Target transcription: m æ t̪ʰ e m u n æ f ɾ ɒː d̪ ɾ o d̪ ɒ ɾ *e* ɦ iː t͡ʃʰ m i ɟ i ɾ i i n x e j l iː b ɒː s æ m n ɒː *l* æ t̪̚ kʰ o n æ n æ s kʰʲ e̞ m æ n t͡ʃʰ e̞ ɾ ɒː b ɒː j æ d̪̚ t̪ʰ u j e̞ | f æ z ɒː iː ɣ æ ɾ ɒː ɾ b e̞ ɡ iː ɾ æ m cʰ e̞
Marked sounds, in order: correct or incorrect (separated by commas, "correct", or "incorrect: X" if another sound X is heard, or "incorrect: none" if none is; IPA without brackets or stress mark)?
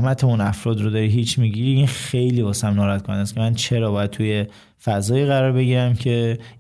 incorrect: i, incorrect: ɾ